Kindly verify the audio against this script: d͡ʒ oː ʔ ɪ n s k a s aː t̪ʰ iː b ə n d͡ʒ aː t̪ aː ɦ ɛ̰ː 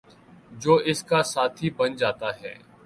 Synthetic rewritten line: d͡ʒ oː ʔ ɪ s k a s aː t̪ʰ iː b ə n d͡ʒ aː t̪ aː ɦ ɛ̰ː